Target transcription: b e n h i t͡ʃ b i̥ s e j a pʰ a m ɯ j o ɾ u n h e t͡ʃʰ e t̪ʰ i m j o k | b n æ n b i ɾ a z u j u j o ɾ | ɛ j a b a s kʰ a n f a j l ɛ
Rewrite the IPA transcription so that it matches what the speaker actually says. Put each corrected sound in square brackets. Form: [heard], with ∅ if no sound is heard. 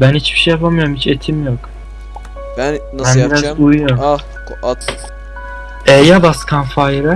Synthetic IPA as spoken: b [æ] n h i t͡ʃ b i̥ [ʃ] e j a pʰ a m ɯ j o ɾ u [m] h [i] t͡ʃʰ e t̪ʰ i m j o k | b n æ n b i ɾ a z u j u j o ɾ | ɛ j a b a s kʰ a n f a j [ɾ] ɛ